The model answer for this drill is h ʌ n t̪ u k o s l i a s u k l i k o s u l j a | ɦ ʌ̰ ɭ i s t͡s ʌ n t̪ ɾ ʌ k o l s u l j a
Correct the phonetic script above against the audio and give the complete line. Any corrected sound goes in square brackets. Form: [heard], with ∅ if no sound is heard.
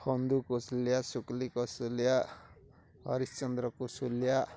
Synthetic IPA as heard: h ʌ n [d̪] u k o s l [j] a s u k l i k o s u l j a | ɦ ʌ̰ [ɾ] i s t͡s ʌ n [d̪] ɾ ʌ k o [∅] s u l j a